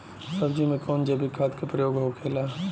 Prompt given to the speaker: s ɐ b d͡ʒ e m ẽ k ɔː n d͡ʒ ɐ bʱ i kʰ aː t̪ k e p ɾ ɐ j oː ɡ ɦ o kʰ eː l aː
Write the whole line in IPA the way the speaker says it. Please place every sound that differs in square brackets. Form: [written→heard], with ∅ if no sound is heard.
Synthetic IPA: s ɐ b d͡ʒ [e→i] m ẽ k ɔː n d͡ʒ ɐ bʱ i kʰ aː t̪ k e p ɾ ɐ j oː ɡ ɦ o kʰ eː l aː